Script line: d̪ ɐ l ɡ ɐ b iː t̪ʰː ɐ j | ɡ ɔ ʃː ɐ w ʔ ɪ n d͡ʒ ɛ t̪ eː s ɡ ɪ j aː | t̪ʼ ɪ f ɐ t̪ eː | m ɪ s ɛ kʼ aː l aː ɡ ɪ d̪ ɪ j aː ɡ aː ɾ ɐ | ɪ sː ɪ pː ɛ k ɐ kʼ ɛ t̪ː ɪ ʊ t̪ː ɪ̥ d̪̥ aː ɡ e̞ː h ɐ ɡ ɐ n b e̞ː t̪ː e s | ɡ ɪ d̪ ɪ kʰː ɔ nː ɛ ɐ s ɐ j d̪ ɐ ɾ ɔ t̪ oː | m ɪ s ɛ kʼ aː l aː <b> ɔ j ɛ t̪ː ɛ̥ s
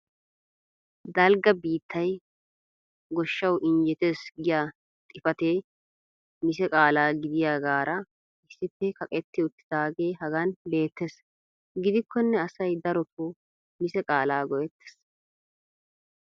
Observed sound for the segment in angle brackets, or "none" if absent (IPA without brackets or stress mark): ɡ